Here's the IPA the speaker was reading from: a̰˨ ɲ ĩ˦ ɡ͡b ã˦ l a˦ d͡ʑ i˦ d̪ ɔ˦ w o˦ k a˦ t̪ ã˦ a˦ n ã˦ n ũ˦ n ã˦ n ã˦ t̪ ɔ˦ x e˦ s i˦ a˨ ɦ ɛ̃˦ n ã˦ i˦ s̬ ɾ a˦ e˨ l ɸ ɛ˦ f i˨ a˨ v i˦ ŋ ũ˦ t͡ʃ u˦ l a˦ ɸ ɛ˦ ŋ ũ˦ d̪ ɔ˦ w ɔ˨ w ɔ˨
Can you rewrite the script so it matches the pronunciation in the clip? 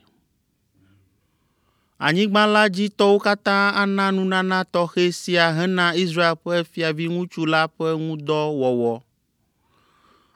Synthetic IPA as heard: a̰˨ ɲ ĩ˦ ɡ͡b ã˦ l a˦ d͡ʑ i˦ t̪ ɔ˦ w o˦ k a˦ t̪ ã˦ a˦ n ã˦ n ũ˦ n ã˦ n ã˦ t̪ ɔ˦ x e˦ s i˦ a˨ ɦ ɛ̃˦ n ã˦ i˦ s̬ ɾ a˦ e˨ l ɸ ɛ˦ f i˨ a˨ v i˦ ŋ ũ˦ t͡ʃ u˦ l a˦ ɸ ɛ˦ ŋ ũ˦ d̪ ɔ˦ w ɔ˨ w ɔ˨